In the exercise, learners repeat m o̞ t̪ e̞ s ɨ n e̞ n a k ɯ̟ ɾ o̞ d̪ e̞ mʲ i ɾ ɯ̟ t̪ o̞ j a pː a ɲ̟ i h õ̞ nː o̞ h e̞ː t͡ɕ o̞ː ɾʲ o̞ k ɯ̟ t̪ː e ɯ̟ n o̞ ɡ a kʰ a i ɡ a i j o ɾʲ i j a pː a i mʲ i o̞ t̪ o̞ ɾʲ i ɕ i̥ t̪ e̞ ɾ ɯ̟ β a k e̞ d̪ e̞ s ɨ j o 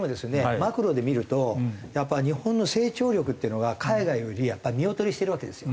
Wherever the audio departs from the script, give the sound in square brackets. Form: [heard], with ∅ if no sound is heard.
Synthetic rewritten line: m o̞ [d̪] e̞ s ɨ n e̞ [m] a k ɯ̟ ɾ o̞ d̪ e̞ mʲ i ɾ ɯ̟ t̪ o̞ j a pː a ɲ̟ i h õ̞ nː o̞ [s] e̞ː t͡ɕ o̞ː ɾʲ o̞ k ɯ̟ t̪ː e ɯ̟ n o̞ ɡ a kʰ a i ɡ a i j o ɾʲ i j a pː a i mʲ i o̞ t̪ o̞ ɾʲ i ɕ i̥ t̪ e̞ ɾ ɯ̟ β a k e̞ d̪ e̞ s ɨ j o